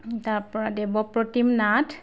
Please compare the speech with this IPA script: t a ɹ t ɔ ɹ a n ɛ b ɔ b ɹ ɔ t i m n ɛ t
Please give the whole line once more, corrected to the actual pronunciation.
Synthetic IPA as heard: t a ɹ p ɔ ɹ a d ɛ b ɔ p ɹ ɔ t i m n a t

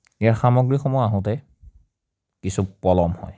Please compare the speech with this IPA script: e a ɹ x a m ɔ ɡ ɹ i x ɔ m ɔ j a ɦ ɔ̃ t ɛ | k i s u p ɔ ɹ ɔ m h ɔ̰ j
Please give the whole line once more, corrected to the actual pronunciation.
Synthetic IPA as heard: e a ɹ x a m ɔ ɡ ɹ i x ɔ m ɔ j a ɦ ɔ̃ t ɛ | k i s u p ɔ l ɔ m h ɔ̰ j

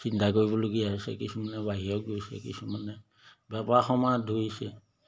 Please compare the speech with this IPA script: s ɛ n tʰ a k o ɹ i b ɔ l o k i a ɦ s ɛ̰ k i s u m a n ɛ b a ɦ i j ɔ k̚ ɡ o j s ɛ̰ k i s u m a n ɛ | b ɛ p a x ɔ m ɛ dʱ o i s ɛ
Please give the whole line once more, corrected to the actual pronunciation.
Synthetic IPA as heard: s i n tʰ a k o ɹ i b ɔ l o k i a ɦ s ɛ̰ k i s u m a n ɛ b a ɦ i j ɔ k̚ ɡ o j s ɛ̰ k i s u m a n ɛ | b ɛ p a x ɔ m a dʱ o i s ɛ

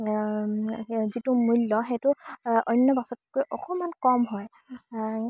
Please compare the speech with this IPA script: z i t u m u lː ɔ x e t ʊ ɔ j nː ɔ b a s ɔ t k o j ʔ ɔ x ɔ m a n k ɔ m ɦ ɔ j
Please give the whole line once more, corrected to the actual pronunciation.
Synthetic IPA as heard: z i t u m u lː ɔ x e t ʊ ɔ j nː ɔ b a s ɔ t k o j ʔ ɔ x ɔ m a n k ɔ m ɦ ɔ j

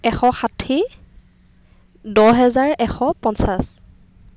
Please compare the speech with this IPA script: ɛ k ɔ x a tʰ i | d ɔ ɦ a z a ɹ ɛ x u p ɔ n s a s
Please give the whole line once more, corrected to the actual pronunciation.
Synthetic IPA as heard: ɛ x ɔ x a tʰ i | d ɔ ɦ ɛ z a ɹ ɛ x ɔ p ɔ n s a s

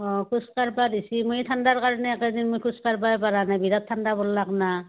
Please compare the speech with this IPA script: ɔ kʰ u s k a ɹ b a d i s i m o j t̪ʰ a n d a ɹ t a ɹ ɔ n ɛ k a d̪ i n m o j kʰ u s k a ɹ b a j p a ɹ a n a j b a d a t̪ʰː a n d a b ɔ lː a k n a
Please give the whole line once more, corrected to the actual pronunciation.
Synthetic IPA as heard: ɔ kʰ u s k a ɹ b a d i s i m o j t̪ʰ a n d a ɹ k a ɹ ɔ n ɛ k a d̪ i n m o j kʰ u s k a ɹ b a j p a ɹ a n a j b i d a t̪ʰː a n d a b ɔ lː a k n a

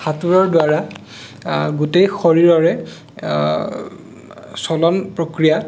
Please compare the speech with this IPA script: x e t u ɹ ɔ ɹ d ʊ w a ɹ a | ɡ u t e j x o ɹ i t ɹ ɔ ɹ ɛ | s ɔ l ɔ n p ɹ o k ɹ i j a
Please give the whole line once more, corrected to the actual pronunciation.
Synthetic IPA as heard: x a t u ɹ ɔ ɹ d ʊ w a ɹ a | ɡ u t e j x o ɹ i ɹ ɔ ɹ ɛ | s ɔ l ɔ n p ɹ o k ɹ i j a

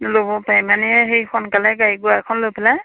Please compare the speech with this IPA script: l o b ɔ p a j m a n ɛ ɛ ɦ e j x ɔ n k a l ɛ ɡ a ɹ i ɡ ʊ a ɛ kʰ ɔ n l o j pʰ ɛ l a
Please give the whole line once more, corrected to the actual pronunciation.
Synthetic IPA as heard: l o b ɔ p a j m a n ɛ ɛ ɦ e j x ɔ n k a l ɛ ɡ a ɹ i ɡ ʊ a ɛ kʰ ɔ n l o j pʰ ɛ l a

